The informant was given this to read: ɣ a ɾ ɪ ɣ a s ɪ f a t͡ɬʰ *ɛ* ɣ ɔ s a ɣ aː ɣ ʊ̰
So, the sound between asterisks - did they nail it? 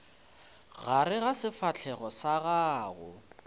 yes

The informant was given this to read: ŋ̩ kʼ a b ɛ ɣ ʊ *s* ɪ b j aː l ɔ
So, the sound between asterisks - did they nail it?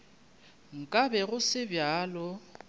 yes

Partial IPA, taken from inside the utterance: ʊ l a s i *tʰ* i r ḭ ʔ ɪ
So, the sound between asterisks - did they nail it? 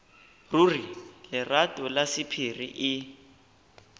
no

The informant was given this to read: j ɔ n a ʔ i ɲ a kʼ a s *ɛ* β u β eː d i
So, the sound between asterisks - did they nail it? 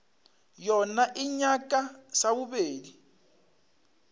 no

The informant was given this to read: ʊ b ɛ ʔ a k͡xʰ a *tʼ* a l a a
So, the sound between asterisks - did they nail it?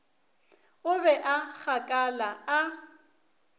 no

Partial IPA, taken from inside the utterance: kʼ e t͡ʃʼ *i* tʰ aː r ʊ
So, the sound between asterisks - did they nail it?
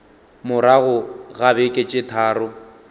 no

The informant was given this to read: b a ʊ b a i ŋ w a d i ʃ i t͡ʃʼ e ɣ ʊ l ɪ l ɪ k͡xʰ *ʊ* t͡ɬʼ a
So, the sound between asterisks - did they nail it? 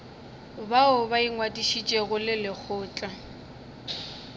no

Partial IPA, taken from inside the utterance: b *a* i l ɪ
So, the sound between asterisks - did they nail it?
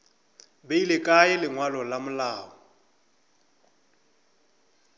no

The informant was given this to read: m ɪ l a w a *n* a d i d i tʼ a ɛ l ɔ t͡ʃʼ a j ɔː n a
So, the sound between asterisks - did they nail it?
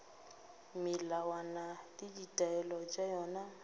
yes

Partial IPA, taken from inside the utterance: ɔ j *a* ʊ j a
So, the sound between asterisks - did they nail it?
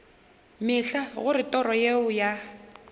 no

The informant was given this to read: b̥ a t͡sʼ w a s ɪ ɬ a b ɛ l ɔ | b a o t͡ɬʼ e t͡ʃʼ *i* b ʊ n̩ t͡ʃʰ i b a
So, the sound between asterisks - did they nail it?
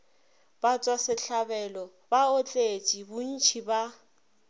yes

